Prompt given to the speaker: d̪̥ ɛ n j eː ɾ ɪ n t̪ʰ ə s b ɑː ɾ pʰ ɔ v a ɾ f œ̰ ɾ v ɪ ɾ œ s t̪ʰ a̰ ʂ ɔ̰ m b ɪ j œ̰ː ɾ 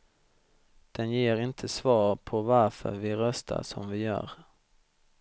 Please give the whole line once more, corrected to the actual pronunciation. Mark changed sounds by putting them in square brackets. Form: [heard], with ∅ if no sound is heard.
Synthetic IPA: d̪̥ ɛ n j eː ɾ ɪ n t̪ʰ ə s [v] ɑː ɾ pʰ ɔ v a ɾ f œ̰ ɾ v ɪ ɾ œ s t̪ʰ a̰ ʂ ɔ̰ m [v] ɪ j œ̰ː ɾ